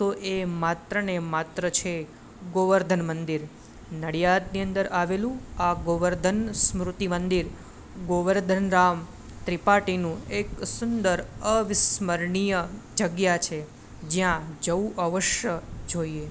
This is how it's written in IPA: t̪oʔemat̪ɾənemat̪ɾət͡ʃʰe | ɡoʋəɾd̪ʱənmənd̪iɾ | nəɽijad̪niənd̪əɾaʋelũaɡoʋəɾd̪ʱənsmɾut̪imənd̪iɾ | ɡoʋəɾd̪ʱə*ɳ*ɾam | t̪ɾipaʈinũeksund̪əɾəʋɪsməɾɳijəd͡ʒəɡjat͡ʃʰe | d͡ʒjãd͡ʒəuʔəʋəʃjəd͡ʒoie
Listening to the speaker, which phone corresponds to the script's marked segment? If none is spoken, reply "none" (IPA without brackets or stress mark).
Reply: n